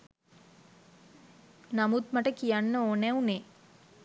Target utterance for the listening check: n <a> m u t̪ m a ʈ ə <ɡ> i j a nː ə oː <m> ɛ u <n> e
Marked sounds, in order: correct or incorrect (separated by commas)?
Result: correct, incorrect, incorrect, correct